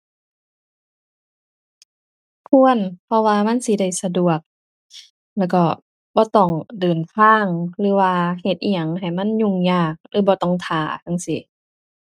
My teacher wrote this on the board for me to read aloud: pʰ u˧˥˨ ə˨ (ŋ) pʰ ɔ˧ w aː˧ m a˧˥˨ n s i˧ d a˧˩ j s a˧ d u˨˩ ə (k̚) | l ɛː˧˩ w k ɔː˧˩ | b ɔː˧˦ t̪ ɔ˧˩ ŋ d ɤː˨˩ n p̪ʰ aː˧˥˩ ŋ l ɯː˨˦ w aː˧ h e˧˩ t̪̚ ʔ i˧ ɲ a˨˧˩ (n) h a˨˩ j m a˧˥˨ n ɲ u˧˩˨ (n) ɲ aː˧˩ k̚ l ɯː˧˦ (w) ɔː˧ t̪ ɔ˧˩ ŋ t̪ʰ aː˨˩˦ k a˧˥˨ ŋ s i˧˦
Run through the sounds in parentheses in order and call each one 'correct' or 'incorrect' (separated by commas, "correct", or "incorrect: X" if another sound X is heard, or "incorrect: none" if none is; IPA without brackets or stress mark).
incorrect: n, correct, incorrect: ŋ, incorrect: ŋ, incorrect: b